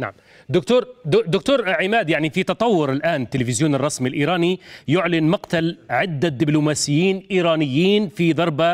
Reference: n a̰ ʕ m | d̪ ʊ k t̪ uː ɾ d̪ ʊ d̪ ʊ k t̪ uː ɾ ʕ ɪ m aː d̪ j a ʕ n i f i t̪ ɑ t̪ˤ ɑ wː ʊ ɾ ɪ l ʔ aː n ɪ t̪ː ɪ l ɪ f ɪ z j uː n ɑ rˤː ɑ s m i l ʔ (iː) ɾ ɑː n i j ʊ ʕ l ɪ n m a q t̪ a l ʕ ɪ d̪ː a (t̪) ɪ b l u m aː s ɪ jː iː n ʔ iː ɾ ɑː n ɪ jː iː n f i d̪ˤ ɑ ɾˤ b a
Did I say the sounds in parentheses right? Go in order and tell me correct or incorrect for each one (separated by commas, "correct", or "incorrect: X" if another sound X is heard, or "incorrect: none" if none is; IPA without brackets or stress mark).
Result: correct, incorrect: d̪